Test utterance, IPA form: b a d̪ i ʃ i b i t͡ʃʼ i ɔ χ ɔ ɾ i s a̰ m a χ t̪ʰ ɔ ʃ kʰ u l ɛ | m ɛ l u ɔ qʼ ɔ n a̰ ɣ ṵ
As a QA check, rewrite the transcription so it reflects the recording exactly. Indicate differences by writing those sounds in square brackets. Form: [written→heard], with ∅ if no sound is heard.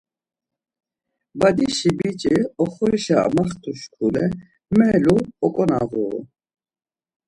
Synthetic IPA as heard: b a d̪ i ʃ i b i t͡ʃʼ i ɔ χ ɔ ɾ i [s→ʃ] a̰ m a χ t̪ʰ [ɔ→u] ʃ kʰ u l ɛ | m ɛ l u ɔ [qʼ→kʼ] ɔ n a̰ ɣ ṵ

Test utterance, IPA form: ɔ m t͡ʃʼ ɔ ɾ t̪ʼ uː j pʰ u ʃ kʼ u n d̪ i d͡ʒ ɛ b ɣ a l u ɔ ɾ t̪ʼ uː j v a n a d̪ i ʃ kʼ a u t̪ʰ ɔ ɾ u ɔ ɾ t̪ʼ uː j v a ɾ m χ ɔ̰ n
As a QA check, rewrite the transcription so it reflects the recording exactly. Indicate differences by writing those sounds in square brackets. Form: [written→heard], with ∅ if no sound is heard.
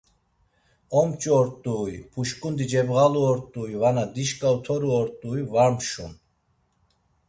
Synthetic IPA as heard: ɔ m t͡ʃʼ ɔ ɾ t̪ʼ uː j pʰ u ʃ kʼ u n d̪ i d͡ʒ ɛ b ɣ a l u ɔ ɾ t̪ʼ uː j v a n a d̪ i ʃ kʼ a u t̪ʰ ɔ ɾ u ɔ ɾ t̪ʼ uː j v a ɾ m [χ→ʃ] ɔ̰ n

